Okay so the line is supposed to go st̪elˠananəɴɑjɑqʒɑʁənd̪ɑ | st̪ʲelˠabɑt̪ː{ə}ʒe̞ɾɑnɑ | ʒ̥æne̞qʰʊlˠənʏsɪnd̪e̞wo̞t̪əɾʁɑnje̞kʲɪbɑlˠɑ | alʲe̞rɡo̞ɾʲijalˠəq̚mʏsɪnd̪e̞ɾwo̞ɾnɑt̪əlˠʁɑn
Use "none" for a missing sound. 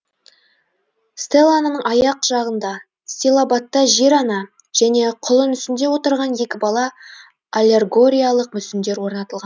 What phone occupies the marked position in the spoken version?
ɑ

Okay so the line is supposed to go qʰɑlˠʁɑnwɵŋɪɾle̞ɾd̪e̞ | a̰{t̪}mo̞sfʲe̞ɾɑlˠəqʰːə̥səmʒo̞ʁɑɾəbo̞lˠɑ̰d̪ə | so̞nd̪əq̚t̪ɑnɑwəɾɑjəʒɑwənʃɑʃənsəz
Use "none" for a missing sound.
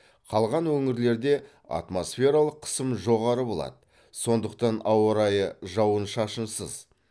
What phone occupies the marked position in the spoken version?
t̪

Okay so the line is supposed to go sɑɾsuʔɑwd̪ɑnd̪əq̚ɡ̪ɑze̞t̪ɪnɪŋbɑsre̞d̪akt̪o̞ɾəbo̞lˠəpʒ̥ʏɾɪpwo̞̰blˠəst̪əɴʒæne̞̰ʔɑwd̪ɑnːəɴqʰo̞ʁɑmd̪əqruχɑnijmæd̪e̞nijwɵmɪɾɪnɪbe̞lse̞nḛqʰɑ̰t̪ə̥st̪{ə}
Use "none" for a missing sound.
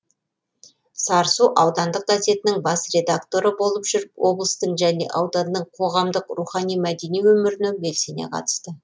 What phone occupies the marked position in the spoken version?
ə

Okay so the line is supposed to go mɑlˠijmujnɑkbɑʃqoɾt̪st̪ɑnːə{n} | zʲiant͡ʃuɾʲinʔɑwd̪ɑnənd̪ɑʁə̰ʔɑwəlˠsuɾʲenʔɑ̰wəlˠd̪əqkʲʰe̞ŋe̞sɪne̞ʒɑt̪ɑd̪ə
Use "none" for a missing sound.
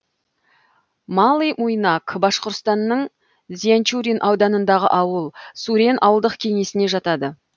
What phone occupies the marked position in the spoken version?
ɴ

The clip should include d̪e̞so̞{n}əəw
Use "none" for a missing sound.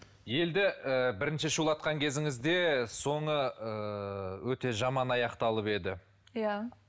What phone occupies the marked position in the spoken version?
ɴ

